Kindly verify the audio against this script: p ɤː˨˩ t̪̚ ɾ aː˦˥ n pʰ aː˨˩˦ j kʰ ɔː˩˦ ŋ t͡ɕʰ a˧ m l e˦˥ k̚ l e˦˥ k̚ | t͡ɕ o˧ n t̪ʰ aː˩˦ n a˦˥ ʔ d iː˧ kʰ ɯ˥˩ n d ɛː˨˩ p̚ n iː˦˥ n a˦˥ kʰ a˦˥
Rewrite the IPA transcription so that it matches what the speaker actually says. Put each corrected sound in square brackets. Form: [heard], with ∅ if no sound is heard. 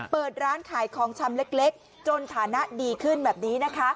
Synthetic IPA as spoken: p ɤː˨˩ t̪̚ ɾ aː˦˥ n [kʰ] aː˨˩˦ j kʰ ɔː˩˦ ŋ t͡ɕʰ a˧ m l e˦˥ k̚ l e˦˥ k̚ | t͡ɕ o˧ n t̪ʰ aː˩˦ n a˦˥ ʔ d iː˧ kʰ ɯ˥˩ n [b] ɛː˨˩ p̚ n iː˦˥ n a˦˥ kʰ a˦˥